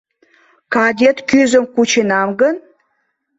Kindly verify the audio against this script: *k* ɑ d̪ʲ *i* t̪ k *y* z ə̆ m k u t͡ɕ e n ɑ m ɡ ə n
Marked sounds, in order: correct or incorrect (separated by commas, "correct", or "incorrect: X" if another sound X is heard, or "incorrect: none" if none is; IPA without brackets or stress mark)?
correct, incorrect: e, correct